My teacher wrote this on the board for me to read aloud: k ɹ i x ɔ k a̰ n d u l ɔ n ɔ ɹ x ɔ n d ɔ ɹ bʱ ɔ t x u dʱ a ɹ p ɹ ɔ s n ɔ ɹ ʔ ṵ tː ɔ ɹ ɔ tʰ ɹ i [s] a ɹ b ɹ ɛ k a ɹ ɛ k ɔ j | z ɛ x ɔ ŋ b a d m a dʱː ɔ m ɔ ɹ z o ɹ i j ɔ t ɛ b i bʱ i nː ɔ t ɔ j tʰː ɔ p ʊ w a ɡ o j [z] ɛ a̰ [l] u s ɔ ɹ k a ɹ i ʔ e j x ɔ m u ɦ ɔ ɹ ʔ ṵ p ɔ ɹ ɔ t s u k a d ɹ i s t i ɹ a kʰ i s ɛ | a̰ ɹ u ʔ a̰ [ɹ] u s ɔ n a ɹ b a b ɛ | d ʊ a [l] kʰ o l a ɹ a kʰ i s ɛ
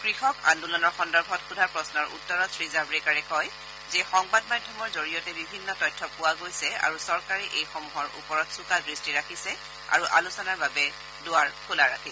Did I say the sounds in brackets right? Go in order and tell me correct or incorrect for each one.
incorrect: z, incorrect: s, incorrect: ɹ, incorrect: l, incorrect: ɹ

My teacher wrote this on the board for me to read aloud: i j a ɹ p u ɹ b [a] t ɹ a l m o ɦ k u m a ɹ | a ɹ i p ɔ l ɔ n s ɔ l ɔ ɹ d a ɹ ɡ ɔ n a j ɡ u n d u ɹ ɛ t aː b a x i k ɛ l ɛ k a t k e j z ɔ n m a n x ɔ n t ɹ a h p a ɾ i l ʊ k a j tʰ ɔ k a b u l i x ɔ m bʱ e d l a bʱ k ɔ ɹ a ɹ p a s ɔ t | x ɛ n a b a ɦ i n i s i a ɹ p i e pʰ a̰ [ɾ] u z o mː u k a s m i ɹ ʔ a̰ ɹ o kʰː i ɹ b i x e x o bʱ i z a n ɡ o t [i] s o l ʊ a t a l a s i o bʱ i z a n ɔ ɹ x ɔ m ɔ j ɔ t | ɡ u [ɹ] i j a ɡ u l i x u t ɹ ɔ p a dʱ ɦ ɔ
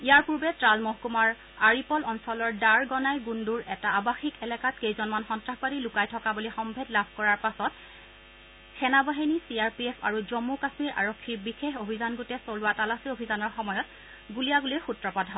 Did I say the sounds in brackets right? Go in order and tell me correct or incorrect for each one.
incorrect: ɛ, incorrect: ɹ, incorrect: ɛ, incorrect: l

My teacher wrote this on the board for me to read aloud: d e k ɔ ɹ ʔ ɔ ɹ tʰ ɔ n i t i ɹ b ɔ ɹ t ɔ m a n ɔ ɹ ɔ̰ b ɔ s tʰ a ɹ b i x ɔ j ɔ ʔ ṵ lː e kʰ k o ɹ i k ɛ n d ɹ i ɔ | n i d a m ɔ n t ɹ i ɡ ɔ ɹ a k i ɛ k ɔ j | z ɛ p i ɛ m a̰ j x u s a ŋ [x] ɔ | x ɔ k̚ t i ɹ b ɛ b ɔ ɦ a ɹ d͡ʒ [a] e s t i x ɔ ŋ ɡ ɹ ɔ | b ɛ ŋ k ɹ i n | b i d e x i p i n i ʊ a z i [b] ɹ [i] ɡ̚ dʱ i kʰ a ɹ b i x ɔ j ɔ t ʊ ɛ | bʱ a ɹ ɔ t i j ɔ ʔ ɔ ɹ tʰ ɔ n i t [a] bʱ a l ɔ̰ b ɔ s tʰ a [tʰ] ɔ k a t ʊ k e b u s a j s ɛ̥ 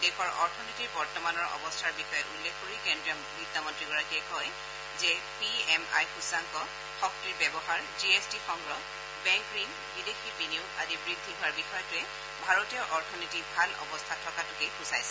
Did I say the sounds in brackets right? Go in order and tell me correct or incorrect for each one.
incorrect: k, incorrect: i, correct, correct, incorrect: i, correct

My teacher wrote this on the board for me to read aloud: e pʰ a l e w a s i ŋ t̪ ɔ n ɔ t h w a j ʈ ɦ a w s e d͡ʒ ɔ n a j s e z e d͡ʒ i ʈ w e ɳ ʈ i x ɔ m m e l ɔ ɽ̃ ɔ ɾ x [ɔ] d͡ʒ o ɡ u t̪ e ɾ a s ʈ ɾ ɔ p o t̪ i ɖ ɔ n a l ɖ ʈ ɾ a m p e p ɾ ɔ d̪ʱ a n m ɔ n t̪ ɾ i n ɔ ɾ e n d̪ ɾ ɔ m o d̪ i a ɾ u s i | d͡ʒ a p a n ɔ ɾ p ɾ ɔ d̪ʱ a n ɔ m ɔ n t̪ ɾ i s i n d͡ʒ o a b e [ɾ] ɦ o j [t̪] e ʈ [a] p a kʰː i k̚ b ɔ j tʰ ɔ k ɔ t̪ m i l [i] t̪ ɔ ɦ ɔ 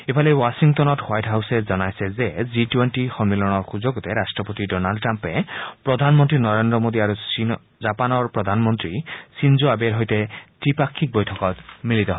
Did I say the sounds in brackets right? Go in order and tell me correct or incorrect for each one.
incorrect: u, correct, correct, incorrect: i, correct

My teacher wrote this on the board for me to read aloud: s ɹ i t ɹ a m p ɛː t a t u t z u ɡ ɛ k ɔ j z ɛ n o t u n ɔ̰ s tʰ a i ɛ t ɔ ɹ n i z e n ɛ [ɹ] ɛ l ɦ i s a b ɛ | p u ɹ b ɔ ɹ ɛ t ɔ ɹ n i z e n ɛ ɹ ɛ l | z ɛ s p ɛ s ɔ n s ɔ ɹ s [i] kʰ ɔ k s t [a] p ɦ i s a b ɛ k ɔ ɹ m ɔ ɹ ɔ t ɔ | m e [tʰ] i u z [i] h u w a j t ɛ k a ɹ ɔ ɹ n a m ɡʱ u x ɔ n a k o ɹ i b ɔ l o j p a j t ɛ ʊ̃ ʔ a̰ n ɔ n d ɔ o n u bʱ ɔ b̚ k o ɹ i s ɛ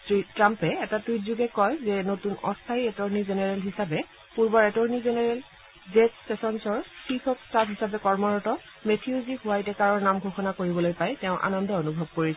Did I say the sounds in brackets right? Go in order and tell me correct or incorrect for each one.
correct, correct, correct, correct, correct

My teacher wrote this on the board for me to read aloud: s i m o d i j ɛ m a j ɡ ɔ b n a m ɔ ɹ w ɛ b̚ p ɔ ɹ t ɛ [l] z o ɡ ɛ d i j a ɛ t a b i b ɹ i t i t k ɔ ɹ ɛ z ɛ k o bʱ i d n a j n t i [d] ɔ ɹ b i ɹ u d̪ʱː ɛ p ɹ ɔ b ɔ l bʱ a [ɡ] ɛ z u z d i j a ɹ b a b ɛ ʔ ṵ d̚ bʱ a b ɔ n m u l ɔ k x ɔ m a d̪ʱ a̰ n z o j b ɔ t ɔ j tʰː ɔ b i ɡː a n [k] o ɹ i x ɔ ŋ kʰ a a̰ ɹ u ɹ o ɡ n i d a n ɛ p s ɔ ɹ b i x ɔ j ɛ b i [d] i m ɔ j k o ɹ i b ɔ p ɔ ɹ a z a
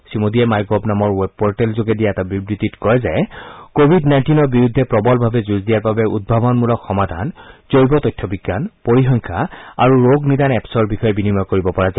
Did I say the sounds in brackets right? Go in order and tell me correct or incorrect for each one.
correct, incorrect: n, incorrect: b, incorrect: p, incorrect: n

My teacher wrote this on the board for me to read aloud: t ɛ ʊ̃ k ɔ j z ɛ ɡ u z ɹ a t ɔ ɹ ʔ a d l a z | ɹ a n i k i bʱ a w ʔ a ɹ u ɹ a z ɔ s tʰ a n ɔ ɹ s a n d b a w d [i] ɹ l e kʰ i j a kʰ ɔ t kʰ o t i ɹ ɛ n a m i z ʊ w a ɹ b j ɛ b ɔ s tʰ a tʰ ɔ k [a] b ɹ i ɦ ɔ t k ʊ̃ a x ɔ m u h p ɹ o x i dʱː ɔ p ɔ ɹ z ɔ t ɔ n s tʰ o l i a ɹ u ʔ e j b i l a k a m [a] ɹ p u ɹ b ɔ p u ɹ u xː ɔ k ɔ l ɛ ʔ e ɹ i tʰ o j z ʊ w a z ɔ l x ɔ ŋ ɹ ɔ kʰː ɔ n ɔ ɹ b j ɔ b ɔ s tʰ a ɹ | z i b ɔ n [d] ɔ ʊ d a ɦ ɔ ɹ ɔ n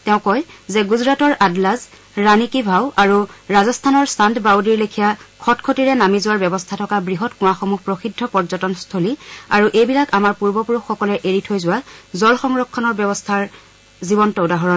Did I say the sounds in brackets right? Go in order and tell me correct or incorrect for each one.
correct, correct, correct, incorrect: t

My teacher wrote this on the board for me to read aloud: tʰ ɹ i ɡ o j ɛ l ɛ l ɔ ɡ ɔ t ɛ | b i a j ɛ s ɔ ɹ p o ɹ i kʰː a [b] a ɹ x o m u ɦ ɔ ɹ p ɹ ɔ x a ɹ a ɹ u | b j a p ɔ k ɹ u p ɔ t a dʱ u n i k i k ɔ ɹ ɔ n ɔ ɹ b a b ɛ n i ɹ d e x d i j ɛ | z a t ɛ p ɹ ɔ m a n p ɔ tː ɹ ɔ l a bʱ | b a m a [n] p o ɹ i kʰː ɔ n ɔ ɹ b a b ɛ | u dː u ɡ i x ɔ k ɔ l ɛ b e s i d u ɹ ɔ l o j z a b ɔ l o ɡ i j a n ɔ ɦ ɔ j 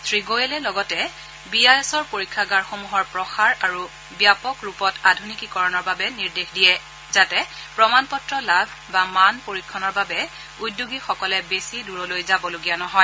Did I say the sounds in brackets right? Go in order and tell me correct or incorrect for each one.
incorrect: ɡ, correct

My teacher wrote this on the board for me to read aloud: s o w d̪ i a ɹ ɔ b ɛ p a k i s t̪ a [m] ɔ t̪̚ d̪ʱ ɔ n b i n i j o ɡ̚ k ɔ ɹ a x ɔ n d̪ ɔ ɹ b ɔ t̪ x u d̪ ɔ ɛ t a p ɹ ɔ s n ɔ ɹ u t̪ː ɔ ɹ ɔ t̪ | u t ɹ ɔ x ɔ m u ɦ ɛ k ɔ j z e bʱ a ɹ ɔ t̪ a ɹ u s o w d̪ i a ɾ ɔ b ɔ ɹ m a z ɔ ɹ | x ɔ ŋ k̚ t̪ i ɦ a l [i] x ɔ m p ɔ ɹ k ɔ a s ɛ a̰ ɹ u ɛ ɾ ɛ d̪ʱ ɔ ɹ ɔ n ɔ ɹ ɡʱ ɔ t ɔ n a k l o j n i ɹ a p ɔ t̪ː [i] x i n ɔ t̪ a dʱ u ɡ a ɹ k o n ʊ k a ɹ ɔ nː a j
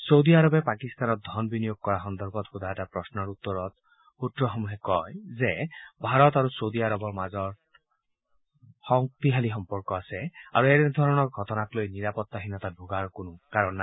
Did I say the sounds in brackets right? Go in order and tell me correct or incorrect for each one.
incorrect: n, correct, incorrect: a

